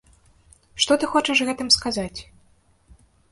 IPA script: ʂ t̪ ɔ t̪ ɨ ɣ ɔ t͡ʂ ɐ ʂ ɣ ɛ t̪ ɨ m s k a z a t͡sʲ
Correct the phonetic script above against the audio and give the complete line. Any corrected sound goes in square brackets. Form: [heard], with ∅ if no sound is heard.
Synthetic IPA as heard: ʂ t̪ ɔ t̪ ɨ [x] ɔ t͡ʂ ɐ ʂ ɣ ɛ t̪ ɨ m s k a z a t͡sʲ